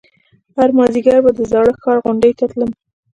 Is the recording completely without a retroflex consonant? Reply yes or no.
no